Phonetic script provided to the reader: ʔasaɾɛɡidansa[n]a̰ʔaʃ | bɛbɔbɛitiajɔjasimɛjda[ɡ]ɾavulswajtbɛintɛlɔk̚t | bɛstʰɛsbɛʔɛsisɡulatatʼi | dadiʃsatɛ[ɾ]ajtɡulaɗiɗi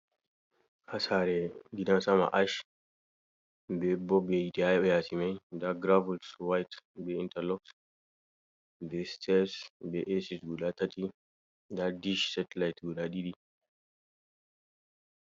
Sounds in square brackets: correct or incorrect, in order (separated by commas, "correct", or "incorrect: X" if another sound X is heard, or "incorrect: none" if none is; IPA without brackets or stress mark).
incorrect: m, correct, incorrect: l